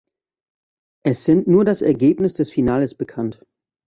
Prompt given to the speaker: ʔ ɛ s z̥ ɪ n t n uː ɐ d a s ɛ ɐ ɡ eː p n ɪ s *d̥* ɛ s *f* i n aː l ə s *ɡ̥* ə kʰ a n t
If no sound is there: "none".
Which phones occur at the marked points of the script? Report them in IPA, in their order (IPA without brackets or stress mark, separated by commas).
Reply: d̥, f, b̥